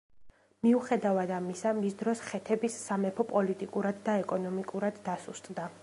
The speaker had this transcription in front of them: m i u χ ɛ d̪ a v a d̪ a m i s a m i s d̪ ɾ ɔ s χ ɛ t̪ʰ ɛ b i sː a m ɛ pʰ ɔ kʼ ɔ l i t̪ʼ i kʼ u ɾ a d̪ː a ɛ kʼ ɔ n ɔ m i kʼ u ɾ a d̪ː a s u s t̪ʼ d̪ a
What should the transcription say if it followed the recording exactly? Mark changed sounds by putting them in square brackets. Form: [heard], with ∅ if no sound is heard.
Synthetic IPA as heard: m i u χ ɛ d̪ a v a d̪ a m i s a m i s d̪ ɾ ɔ s χ ɛ t̪ʰ ɛ b i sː a m ɛ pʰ ɔ [pʼ] ɔ l i t̪ʼ i kʼ u ɾ a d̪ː a ɛ kʼ ɔ n ɔ m i kʼ u ɾ a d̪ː a s u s t̪ʼ d̪ a